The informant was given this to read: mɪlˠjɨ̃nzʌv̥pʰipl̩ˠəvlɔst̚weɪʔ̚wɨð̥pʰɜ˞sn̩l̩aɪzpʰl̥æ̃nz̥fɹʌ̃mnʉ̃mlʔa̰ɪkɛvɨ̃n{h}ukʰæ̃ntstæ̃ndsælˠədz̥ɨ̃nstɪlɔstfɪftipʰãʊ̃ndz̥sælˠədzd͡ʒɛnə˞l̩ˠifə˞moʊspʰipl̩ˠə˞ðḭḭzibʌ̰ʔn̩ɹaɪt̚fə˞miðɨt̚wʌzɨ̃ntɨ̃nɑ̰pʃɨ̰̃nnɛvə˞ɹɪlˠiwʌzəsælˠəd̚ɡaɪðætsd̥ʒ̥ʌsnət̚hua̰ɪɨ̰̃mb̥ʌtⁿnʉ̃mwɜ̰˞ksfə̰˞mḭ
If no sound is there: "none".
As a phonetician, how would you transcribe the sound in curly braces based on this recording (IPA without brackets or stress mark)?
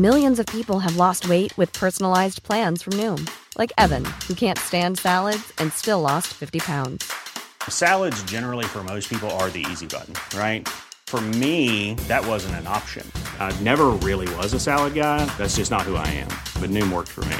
h